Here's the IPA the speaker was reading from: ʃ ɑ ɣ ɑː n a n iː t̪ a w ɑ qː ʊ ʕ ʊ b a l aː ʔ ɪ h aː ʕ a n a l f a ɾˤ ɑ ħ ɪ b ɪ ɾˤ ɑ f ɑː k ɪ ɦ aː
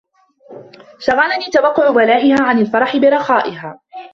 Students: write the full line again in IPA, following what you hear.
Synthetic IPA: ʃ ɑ ɣ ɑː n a n iː t̪ a w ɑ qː ʊ ʕ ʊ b a l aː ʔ ɪ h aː ʕ a n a l f ɑ ɾˤ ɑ ħ ɪ b ɪ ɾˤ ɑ x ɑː ʔ ɪ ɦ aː